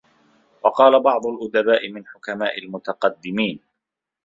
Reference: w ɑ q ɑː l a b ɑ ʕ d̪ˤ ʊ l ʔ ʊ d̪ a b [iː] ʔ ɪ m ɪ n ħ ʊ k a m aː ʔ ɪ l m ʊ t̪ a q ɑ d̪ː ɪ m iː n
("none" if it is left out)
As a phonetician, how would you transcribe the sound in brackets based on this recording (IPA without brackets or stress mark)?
aː